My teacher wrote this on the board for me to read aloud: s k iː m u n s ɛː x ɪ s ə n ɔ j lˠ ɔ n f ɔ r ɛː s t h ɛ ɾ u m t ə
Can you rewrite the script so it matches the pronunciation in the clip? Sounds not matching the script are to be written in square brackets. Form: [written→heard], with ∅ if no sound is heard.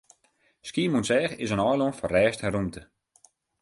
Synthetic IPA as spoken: s k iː m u n s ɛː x ɪ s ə n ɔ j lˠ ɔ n f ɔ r ɛː s t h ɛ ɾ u m t ə